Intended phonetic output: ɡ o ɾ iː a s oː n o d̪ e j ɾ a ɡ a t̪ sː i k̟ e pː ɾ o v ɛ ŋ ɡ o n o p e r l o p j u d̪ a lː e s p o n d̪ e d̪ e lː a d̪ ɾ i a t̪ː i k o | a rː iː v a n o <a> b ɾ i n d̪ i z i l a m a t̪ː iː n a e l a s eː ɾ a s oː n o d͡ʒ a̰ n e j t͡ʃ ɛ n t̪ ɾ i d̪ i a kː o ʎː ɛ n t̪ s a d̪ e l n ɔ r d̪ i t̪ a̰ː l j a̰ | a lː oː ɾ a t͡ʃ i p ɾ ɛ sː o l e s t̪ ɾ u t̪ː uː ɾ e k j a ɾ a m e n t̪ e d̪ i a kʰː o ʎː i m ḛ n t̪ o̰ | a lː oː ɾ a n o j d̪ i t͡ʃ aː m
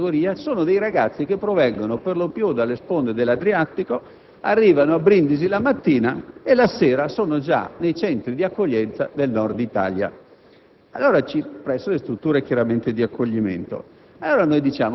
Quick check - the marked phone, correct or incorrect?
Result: correct